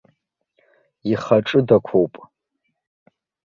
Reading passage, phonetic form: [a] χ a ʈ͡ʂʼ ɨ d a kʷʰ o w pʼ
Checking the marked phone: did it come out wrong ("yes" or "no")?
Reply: yes